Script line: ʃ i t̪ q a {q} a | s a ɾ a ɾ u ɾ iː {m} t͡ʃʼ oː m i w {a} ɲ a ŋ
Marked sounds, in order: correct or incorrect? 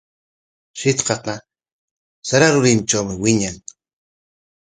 correct, correct, incorrect

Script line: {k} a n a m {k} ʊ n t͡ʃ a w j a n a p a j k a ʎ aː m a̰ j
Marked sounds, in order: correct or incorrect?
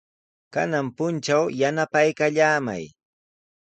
correct, incorrect

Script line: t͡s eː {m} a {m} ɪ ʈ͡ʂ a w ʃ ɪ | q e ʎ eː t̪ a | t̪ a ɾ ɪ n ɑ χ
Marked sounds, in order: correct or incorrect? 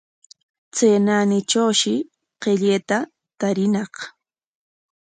incorrect, incorrect

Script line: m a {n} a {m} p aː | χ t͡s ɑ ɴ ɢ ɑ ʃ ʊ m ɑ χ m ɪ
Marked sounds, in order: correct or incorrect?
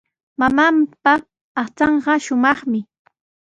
incorrect, correct

